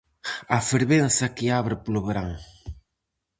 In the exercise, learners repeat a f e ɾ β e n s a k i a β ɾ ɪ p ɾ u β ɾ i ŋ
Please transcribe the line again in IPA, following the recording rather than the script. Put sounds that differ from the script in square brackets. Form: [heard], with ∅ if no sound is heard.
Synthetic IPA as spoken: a f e ɾ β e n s a k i a β ɾ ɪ p [l] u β ɾ [a] ŋ